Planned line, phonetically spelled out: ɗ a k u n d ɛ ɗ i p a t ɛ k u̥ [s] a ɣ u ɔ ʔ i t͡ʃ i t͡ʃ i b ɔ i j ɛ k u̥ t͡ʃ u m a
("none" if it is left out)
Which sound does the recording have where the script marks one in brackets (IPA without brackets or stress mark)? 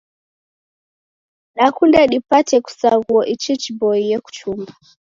s